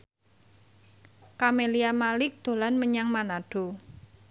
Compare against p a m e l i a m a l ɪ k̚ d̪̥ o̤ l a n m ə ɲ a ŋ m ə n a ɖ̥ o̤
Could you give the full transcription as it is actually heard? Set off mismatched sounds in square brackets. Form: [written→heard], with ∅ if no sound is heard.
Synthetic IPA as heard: [p→k] a m e l i a m a l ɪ k̚ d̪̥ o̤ l a n m ə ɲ a ŋ m [ə→a] n a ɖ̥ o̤